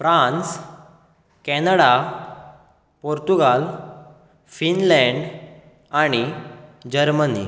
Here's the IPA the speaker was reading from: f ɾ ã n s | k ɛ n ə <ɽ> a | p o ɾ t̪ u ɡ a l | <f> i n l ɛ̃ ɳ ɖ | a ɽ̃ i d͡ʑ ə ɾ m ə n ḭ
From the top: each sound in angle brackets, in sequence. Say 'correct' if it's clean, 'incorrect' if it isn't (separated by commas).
correct, correct